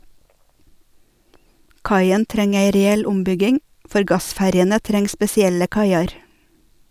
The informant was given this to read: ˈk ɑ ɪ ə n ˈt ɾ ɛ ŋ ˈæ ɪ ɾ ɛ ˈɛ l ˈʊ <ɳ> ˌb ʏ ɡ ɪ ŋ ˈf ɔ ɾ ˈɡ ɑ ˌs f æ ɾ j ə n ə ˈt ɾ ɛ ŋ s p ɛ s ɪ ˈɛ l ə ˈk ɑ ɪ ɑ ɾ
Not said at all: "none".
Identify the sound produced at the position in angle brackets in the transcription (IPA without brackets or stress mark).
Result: m